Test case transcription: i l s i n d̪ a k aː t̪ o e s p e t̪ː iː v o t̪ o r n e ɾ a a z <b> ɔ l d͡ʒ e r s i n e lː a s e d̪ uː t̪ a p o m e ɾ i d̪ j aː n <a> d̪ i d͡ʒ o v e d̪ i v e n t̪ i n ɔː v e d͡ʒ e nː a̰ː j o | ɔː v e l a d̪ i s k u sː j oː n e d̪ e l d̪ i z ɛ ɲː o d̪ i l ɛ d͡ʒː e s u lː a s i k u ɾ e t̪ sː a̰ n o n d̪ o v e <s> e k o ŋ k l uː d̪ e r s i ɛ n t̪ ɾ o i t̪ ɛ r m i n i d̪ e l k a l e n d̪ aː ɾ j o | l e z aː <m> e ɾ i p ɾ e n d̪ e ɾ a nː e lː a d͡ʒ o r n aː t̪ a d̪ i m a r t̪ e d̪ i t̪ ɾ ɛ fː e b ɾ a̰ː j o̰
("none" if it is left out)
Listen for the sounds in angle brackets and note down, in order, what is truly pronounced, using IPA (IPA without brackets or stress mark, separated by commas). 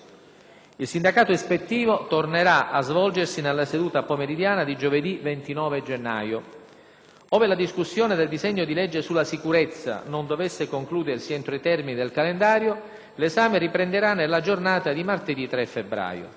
v, a, sː, m